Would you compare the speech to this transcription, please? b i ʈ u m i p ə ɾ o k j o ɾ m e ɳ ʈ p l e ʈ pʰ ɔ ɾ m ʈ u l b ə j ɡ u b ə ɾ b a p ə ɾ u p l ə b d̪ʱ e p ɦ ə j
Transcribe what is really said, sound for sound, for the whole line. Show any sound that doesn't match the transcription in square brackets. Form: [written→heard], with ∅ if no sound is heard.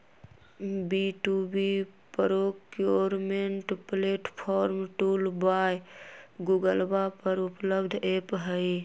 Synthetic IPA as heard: b i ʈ u [m→b] i p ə ɾ o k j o ɾ m e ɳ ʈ p l e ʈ pʰ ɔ ɾ m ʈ u l b [ə→a] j ɡ u [b→ɡ] ə [ɾ→l] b a p ə ɾ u p l ə b d̪ʱ e p ɦ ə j

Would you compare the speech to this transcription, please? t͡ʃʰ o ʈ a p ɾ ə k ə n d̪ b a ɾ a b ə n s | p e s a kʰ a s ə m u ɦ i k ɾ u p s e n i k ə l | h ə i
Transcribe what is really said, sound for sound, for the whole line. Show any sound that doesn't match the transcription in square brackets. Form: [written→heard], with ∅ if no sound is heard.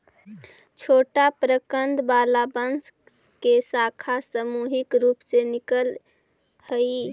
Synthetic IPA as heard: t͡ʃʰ o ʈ a p ɾ ə k ə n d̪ b a [ɾ→l] a b ə n s | [p→k] e s a kʰ a s ə m u ɦ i k ɾ u p s e n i k ə l | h ə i

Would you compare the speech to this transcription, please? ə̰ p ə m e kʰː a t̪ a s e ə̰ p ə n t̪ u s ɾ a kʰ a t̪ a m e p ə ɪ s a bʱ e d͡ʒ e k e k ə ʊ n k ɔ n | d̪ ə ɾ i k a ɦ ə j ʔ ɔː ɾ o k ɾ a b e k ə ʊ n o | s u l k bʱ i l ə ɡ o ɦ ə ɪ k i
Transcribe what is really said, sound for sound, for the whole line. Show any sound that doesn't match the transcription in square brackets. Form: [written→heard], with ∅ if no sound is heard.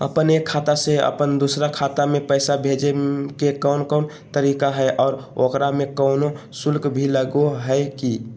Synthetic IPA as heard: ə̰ p ə [m→n] e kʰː a t̪ a s e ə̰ p ə n [t̪→d̪] u s ɾ a kʰ a t̪ a m e p ə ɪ s a bʱ e d͡ʒ e k e k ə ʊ n k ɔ n | [d̪→t̪] ə ɾ i k a ɦ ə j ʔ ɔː ɾ o k ɾ a [b→m] e k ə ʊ n o | s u l k bʱ i l ə ɡ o ɦ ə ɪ k i

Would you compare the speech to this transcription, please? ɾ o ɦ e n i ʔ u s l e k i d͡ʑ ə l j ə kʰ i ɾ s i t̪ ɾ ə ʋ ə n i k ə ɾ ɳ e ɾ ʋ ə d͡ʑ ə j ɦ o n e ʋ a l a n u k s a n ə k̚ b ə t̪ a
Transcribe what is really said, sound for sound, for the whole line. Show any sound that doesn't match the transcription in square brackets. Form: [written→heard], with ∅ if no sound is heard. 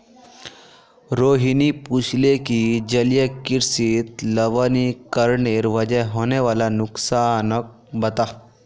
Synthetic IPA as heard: ɾ o ɦ [e→i] n i [ʔ→p] u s l e k i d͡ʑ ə l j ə [kʰ→k] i ɾ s i t̪ [ɾ→l] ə ʋ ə n i k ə ɾ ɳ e ɾ ʋ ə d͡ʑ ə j ɦ o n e ʋ a l a n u k s a n ə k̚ b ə t̪ a

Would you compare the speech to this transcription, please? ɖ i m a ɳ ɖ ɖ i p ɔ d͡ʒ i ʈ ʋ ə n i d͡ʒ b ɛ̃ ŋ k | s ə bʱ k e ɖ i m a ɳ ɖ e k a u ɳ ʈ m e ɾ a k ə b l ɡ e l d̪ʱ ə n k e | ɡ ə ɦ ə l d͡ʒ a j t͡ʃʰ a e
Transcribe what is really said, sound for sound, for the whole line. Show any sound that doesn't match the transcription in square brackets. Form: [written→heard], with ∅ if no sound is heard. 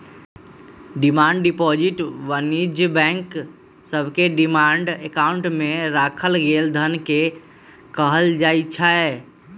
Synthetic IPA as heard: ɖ i m a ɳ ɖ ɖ i p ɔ d͡ʒ i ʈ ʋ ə n i d͡ʒ b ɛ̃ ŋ k | s ə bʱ k e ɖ i m a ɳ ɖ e k a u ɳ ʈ m e ɾ a [k→kʰ] ə [b→∅] l ɡ e l d̪ʱ ə n k e | [ɡ→k] ə ɦ ə l d͡ʒ a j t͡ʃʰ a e

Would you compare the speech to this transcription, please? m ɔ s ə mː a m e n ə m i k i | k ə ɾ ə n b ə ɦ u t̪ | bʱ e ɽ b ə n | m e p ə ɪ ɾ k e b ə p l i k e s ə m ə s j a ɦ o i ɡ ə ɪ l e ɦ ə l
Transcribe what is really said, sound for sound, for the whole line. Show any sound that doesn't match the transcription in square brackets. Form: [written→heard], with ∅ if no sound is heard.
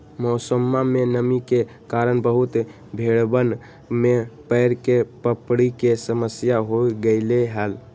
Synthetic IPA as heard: m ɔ s ə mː a m e n ə m i k [i→e] | k [ə→a] ɾ ə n b ə ɦ u t̪ | bʱ e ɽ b ə n | m e p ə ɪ ɾ k e [b→p] ə p [l→ɽ] i k e s ə m ə s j a ɦ o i ɡ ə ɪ l e ɦ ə l

